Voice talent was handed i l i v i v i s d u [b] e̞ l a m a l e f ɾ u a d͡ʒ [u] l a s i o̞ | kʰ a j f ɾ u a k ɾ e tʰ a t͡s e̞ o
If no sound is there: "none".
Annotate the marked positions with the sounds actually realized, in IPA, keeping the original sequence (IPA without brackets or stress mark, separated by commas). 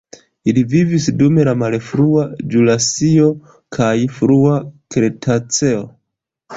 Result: m, u